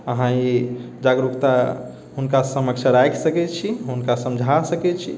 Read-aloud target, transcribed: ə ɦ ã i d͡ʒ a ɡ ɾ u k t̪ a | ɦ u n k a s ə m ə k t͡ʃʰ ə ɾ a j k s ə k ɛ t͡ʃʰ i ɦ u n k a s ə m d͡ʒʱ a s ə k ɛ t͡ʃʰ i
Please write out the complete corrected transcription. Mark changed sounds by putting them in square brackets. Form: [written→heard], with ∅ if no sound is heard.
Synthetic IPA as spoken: ə ɦ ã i d͡ʒ a ɡ ɾ u k t̪ a | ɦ u n k a s ə m ə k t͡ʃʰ ə ɾ a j k s ə k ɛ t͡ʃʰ i ɦ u n k a s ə m d͡ʒʱ a s ə k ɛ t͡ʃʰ i